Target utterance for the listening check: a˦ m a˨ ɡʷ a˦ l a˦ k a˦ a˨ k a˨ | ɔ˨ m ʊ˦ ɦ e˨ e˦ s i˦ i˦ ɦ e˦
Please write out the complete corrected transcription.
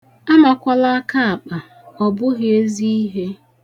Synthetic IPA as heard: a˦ m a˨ kʷ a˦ l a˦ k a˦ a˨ k͡p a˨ | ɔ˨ b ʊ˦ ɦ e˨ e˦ z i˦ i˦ ɦ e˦